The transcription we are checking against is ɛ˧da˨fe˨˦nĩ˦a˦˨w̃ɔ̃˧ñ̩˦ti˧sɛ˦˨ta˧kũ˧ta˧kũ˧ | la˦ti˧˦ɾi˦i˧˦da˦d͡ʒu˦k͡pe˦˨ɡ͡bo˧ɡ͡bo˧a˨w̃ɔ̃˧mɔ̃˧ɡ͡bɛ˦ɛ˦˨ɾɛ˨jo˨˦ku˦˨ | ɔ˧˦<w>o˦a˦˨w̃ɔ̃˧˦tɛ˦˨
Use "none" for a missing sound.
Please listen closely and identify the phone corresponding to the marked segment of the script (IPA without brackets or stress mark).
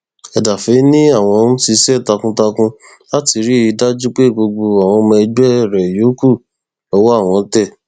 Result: w